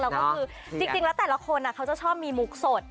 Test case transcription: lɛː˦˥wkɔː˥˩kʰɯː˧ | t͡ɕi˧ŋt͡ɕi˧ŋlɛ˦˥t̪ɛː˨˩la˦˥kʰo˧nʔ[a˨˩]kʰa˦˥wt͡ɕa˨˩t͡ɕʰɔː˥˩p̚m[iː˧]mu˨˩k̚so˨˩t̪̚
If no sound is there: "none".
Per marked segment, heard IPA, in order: a˨˩, iː˧

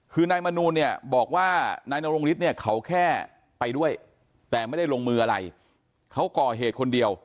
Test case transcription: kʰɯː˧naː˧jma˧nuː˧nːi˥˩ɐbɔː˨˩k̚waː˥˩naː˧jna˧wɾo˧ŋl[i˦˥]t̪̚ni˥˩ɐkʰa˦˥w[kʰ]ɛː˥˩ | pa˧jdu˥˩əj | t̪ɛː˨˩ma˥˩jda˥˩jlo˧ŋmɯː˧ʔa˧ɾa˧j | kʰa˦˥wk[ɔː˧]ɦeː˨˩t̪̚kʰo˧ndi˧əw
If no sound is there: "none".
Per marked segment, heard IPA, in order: i˦˥, kʰ, ɔː˨˩

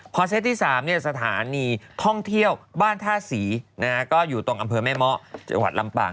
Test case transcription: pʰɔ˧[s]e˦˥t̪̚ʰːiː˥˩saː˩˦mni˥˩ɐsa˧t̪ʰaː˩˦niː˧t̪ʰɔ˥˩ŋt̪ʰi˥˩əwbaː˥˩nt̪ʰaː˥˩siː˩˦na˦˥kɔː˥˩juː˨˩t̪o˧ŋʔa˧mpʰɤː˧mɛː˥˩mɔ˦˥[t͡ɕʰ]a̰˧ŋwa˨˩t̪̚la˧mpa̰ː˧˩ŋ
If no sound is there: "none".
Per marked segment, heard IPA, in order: s, t͡ɕ

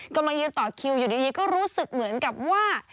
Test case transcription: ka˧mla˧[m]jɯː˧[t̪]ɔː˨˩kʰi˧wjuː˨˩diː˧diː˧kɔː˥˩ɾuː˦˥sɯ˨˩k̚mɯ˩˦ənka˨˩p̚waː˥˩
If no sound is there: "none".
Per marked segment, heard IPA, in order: ŋ, t̪

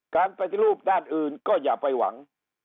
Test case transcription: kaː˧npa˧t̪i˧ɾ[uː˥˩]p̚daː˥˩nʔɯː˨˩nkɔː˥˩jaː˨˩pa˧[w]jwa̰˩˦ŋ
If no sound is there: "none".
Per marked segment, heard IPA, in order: uː˥˩, none

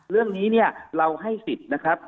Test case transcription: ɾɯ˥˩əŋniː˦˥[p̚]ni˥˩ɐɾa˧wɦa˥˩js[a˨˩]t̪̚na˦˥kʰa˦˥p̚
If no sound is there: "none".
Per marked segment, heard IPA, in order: none, i˨˩

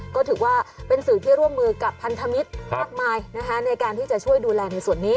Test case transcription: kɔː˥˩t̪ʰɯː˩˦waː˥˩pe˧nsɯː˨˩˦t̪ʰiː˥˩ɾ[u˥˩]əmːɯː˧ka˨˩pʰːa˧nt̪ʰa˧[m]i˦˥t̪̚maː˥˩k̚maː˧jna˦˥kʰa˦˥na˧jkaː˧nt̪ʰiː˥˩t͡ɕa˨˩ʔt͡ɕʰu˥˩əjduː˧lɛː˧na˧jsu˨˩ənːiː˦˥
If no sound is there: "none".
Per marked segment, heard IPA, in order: u˥˩, m

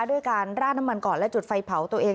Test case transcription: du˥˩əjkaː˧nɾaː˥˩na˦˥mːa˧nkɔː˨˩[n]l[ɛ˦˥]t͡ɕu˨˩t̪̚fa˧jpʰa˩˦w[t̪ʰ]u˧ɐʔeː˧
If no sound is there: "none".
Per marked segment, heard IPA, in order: n, ɛ˦˥, t̪

